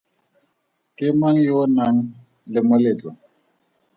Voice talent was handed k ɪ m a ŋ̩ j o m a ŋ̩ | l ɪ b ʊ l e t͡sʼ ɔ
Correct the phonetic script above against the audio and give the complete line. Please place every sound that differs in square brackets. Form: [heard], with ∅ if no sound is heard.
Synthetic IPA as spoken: k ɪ m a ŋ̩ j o [n] a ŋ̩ | l ɪ [m] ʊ l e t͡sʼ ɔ